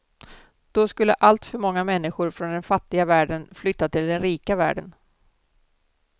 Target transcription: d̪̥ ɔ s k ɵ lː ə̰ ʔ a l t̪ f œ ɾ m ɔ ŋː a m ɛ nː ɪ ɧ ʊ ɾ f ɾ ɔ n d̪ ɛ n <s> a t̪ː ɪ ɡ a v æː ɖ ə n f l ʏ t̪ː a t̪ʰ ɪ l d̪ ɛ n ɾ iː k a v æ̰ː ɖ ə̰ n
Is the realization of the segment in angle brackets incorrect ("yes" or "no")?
yes